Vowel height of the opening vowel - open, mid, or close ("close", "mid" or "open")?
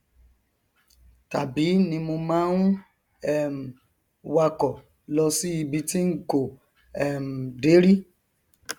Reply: open